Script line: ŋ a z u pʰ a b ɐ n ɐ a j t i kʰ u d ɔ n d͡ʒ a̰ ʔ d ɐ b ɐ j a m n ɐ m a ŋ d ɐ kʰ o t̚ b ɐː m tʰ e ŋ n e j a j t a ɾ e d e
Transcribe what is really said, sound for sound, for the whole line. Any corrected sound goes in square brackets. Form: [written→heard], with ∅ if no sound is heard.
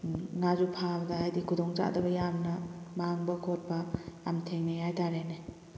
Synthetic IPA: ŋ a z u pʰ a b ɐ [n→d] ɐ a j [t→d] i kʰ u d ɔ [n→ŋ] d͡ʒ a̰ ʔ d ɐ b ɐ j a m n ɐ m a ŋ [d→b] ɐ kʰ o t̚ b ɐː m tʰ e ŋ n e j a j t a ɾ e [d→n] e